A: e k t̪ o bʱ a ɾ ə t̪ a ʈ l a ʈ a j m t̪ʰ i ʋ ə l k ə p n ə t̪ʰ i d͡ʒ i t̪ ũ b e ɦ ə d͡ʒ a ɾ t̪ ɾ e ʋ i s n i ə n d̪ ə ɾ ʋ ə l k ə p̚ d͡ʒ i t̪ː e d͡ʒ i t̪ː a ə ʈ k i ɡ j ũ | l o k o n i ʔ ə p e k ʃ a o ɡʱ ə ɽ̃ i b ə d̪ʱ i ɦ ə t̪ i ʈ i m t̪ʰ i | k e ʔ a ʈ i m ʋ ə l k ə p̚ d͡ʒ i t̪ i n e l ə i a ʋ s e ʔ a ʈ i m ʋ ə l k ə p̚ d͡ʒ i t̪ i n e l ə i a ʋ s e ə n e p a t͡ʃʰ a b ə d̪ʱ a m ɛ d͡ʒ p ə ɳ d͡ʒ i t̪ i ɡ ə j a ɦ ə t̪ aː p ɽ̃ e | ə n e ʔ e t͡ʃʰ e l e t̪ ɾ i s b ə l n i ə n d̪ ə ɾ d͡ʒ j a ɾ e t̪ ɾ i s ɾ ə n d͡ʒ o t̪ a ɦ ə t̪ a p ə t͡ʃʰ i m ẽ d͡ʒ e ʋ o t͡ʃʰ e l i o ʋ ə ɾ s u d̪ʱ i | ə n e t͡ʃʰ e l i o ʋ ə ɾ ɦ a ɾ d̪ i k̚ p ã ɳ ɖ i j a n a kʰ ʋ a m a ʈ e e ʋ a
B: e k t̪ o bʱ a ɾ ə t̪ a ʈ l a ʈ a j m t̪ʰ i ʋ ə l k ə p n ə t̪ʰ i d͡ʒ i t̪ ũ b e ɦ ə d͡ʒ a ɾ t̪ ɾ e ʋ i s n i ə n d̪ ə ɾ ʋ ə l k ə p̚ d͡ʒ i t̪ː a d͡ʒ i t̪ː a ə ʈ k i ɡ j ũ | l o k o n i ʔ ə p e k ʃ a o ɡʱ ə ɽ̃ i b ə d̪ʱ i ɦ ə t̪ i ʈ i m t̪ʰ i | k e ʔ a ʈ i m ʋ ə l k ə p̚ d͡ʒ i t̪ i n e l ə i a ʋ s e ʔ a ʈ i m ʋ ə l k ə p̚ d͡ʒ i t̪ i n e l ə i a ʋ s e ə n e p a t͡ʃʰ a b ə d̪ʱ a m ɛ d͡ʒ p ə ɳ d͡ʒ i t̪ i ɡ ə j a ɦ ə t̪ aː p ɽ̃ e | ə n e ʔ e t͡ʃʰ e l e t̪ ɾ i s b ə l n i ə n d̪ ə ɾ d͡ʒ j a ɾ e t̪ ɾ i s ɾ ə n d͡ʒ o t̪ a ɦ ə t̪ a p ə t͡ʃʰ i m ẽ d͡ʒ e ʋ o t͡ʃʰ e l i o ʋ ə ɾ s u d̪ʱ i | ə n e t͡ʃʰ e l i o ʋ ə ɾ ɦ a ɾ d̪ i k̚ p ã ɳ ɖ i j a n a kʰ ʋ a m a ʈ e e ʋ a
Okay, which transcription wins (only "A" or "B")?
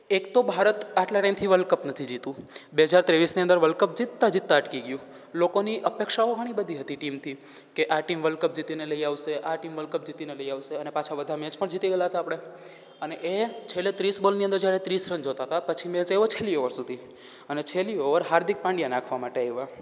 B